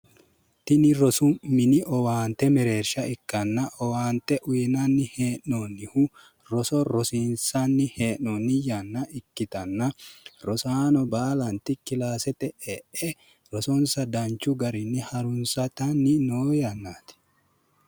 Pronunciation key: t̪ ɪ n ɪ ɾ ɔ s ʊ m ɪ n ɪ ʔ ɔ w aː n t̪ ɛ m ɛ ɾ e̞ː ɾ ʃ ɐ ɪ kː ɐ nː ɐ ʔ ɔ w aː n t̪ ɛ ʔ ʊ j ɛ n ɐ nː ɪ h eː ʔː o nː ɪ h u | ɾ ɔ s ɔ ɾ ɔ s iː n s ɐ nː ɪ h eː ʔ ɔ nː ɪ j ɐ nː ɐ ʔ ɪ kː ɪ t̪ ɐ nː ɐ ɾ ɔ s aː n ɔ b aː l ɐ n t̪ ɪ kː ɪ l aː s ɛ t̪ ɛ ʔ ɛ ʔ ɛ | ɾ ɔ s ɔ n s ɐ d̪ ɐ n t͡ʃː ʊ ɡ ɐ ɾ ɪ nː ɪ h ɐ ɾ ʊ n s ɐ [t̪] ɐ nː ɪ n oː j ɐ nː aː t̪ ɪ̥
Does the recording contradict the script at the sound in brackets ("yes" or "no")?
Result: no